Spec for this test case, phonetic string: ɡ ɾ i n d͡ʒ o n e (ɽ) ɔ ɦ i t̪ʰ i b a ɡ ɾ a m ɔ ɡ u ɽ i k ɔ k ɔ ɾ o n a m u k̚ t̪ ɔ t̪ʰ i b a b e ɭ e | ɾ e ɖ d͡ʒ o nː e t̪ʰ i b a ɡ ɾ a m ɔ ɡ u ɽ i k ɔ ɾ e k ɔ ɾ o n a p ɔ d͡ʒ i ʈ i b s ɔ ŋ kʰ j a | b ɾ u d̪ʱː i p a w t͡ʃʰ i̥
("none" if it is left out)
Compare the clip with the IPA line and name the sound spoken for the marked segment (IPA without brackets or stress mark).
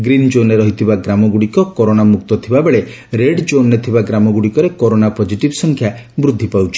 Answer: ɾ